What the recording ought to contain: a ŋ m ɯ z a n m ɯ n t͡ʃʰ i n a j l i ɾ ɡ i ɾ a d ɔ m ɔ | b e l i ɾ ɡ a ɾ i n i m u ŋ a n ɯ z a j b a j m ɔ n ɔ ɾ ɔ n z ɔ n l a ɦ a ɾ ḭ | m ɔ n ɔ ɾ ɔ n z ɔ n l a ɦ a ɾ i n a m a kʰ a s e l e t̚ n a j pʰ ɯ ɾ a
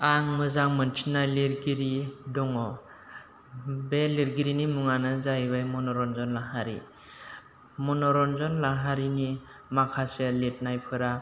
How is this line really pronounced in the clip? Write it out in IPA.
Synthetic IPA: a ŋ m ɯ z a ŋ m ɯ n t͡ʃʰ i n a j l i ɾ ɡ i ɾ i d ɔ ŋ ɔ | b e l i ɾ ɡ i ɾ i n i m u ŋ a n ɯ z a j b a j m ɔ n ɔ ɾ ɔ n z ɔ n l a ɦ a ɾ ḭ | m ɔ n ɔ ɾ ɔ n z ɔ n l a ɦ a ɾ i n i m a kʰ a s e l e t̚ n a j pʰ ɯ ɾ a